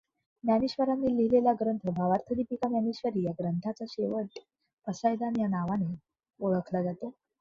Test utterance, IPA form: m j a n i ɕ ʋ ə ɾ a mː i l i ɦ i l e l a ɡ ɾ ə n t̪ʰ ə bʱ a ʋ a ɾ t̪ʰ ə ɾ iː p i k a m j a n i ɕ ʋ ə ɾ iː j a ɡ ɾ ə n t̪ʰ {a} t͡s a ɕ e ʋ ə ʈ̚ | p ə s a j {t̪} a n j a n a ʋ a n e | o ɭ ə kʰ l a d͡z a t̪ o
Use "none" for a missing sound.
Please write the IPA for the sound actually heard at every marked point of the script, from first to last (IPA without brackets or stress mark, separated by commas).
a, d̪